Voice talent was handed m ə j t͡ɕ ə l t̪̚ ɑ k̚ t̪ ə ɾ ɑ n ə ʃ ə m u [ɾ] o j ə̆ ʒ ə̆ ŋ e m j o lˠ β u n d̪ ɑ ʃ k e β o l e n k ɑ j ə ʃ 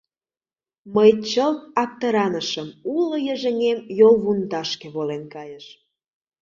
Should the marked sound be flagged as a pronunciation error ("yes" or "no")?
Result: yes